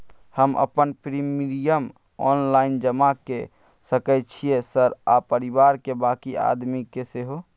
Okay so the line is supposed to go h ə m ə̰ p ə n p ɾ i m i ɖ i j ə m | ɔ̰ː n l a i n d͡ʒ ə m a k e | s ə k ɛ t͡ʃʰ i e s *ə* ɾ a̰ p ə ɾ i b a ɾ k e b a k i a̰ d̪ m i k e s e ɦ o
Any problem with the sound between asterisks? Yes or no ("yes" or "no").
no